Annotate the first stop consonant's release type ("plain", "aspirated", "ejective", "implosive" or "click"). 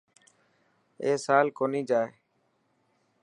plain